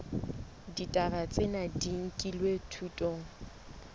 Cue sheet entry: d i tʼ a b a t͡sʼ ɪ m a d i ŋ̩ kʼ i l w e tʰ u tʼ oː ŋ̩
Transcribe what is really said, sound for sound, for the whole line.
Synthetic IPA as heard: d i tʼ a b a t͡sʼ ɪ n a d i ŋ̩ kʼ i l w e tʰ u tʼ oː ŋ̩